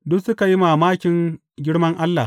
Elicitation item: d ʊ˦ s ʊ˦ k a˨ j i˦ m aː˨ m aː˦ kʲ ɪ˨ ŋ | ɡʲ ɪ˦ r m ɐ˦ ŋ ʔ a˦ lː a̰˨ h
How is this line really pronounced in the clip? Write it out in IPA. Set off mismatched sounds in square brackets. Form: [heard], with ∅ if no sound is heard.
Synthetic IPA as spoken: d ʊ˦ s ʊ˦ k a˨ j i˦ m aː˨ m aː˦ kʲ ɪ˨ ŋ | ɡʲ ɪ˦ [ɽ] m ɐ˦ ŋ ʔ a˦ lː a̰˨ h

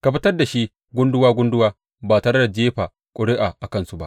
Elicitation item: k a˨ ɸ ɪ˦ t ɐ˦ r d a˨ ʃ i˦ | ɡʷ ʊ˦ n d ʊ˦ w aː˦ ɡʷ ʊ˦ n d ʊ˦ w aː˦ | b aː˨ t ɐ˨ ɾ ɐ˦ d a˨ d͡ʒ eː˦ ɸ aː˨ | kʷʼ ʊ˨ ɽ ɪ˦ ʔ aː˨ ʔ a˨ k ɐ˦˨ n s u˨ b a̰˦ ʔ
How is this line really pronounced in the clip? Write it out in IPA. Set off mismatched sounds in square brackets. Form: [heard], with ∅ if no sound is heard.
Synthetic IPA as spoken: k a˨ ɸ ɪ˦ t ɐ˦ r d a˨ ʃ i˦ | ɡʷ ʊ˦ n d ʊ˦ w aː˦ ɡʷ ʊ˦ n d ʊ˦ w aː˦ | b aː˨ t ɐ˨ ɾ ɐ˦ d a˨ d͡ʒ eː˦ ɸ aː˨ | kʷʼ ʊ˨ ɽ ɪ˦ ʔ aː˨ ʔ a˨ k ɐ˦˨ n s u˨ b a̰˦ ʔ

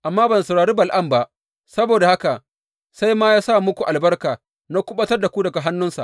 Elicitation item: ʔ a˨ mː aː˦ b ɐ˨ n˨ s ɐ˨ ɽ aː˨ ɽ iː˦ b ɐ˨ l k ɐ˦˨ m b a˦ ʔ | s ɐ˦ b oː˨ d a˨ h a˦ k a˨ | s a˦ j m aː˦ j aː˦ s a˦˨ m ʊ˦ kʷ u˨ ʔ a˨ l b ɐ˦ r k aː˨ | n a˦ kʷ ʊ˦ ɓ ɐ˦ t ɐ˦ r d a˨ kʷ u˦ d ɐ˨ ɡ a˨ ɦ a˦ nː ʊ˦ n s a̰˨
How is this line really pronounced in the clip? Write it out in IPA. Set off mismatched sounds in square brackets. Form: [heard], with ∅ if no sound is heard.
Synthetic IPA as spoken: ʔ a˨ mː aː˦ b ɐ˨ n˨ s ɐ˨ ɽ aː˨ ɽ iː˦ b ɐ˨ l [ʔ] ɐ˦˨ m b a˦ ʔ | s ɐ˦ b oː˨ d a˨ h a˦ k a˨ | s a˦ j m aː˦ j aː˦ s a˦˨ m ʊ˦ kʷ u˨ ʔ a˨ l b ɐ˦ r k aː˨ | n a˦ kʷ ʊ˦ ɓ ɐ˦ t ɐ˦ r d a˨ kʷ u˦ d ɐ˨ ɡ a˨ ɦ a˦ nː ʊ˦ n s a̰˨

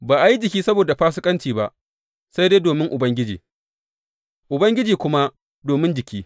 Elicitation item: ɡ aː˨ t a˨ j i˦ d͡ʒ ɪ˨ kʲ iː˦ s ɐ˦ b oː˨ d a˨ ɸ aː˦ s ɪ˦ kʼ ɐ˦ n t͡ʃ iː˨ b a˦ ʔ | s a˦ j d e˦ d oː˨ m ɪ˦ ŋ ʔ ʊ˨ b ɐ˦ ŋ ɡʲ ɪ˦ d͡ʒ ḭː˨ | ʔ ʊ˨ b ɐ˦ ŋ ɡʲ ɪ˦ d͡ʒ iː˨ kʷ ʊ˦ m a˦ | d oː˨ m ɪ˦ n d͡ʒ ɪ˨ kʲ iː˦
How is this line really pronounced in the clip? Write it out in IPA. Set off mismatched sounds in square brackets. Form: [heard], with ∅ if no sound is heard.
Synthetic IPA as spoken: [b] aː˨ [ʔ] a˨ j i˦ d͡ʒ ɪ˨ kʲ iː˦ s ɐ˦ b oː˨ d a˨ ɸ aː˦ s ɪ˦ kʼ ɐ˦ n t͡ʃ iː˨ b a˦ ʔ | s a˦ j d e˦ d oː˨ m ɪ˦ ŋ ʔ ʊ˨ b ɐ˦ ŋ ɡʲ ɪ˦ d͡ʒ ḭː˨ | ʔ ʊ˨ b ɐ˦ ŋ ɡʲ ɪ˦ d͡ʒ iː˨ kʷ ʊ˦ m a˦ | d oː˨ m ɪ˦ n d͡ʒ ɪ˨ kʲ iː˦

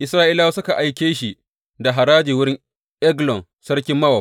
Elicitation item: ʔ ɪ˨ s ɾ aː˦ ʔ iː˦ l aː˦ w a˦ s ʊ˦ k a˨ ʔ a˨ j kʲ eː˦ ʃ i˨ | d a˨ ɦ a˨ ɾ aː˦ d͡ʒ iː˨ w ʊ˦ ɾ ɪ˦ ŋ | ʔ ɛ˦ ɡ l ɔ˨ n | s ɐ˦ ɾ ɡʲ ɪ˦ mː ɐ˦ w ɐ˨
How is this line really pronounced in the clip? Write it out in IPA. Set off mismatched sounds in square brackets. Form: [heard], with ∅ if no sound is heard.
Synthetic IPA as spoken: ʔ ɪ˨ s ɾ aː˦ ʔ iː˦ l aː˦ w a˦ s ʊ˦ k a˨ ʔ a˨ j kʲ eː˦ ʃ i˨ | d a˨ ɦ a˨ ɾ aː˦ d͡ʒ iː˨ w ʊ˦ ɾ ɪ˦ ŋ | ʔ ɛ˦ ɡ l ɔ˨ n | s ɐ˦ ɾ [kʲ] ɪ˦ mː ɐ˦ w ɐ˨

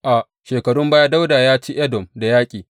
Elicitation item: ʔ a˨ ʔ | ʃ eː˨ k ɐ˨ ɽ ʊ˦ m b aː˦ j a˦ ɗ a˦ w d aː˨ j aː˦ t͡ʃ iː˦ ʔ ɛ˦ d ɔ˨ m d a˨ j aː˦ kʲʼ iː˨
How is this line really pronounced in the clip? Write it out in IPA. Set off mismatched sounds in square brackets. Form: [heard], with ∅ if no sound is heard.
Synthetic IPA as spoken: ʔ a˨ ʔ | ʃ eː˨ k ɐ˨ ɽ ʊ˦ m b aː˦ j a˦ [d] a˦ w d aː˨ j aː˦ t͡ʃ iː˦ ʔ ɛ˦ d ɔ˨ m d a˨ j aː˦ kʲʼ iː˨

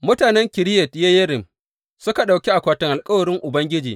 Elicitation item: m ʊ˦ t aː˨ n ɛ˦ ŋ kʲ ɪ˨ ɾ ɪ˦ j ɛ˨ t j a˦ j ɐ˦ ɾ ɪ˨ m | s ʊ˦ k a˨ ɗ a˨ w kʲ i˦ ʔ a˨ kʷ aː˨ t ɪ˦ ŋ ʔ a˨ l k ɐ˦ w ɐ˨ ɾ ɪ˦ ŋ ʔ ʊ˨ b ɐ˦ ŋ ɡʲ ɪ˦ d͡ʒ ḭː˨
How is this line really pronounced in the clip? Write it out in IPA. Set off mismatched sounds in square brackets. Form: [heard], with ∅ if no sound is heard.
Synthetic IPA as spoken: m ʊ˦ t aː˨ n ɛ˦ ŋ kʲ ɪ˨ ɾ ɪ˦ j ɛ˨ t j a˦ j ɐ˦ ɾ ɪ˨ m | s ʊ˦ k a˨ ɗ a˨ w kʲ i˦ ʔ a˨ kʷ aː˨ t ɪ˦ ŋ ʔ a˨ l [kʼ] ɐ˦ w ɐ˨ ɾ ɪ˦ ŋ ʔ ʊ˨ b ɐ˦ ŋ ɡʲ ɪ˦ d͡ʒ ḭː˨

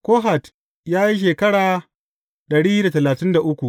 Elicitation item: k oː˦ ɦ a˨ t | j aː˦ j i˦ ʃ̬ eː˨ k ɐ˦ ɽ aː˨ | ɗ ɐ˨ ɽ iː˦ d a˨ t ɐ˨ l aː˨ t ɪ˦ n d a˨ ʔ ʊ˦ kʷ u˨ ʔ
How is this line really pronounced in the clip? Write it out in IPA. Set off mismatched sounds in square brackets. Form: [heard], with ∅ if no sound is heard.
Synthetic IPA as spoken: k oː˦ ɦ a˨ t | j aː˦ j i˦ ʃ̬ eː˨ k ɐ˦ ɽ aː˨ | ɗ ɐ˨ ɽ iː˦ d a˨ t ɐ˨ l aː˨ t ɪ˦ n d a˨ ʔ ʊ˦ kʷ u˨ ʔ

